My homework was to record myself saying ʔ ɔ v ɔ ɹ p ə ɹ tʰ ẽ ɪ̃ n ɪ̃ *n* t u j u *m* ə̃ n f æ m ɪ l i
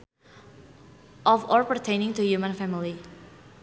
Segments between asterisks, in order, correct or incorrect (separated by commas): incorrect, correct